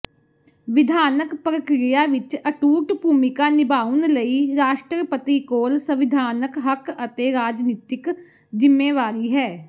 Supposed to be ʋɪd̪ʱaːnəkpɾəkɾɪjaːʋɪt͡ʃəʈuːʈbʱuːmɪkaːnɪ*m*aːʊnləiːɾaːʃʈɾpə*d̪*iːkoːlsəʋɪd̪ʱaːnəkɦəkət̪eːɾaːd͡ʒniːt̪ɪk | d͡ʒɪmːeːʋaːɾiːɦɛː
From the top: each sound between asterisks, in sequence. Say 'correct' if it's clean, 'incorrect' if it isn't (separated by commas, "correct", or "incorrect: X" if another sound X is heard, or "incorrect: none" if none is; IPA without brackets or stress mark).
incorrect: b, incorrect: t̪